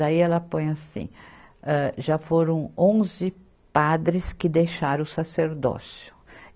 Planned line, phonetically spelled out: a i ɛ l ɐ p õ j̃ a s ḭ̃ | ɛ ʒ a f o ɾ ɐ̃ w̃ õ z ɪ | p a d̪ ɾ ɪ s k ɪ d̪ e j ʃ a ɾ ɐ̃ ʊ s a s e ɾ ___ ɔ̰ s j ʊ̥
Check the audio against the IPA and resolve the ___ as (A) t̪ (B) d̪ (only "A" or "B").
B